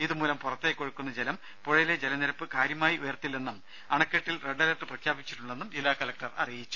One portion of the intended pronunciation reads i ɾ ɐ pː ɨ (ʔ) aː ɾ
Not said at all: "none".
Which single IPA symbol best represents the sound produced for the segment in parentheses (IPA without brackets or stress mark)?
k